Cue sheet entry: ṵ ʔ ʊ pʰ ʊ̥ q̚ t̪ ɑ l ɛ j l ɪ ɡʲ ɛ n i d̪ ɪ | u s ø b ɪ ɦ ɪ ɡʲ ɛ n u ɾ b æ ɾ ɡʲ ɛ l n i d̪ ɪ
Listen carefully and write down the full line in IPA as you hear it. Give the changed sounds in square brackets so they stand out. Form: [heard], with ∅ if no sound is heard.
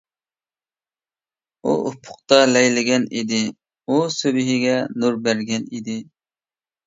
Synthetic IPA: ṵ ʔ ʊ pʰ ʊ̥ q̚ t̪ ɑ l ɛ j l ɪ ɡʲ ɛ n i d̪ ɪ | u s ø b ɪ ɦ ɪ ɡʲ ɛ n u ɾ b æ ɾ ɡʲ ɛ [∅] n i d̪ ɪ